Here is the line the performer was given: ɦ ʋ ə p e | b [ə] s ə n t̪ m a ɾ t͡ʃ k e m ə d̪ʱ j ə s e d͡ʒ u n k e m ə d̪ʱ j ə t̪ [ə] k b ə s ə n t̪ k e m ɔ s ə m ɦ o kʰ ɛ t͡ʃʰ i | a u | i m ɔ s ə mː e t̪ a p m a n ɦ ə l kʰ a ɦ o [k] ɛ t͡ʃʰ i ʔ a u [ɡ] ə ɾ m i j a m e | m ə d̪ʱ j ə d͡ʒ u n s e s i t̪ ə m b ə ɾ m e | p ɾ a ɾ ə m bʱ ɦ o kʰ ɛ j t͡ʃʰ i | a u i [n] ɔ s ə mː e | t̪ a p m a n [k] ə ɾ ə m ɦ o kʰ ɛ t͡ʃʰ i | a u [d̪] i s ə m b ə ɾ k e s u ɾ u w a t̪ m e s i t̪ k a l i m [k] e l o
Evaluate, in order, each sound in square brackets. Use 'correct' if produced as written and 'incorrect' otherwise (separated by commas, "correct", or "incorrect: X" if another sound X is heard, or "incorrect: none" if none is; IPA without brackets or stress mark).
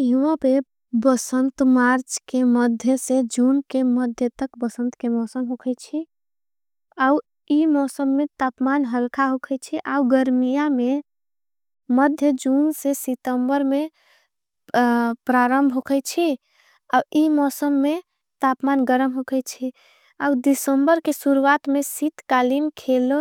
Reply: correct, correct, incorrect: kʰ, correct, incorrect: m, incorrect: ɡ, correct, incorrect: kʰ